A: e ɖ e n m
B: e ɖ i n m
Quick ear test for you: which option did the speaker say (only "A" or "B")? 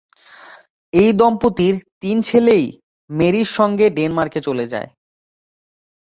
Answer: A